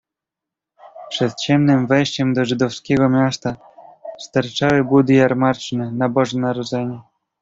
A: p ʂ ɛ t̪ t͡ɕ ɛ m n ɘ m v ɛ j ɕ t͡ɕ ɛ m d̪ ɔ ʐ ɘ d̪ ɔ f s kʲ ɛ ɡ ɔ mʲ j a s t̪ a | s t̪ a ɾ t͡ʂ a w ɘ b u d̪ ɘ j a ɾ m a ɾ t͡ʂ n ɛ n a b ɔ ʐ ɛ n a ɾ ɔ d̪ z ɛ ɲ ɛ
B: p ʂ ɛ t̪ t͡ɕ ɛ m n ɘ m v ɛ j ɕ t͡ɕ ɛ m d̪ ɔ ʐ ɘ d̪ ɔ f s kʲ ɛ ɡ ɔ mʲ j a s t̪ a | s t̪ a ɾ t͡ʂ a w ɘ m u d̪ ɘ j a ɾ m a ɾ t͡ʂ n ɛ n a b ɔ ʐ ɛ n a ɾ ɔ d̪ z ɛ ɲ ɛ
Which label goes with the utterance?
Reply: A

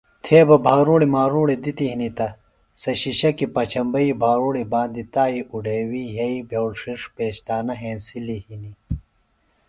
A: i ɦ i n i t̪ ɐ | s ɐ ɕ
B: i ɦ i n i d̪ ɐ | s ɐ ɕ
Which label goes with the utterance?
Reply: A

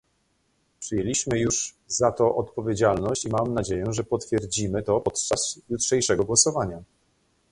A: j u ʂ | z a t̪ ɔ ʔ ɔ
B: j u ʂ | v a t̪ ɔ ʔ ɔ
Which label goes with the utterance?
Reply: A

